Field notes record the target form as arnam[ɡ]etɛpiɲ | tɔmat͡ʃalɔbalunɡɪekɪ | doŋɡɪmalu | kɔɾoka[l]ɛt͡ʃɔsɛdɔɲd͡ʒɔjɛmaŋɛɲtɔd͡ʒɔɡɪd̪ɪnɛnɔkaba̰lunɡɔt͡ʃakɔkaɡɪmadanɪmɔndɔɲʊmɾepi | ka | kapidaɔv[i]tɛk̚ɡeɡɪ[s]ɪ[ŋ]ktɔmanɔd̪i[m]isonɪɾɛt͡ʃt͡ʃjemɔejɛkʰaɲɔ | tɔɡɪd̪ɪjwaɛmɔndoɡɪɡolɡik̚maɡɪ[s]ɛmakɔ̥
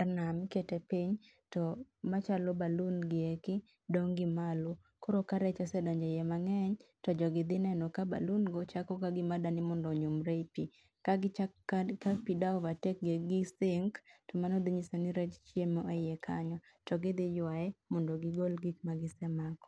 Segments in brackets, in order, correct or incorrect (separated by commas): incorrect, incorrect, incorrect, correct, correct, incorrect, correct